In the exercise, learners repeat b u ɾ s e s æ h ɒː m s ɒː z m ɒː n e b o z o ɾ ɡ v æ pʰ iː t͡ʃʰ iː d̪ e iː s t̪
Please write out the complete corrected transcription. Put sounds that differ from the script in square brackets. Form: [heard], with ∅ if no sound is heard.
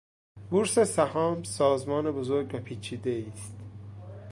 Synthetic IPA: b u ɾ s e s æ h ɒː m s ɒː z m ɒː n e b o z o ɾ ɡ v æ pʰ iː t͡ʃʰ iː d̪ e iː s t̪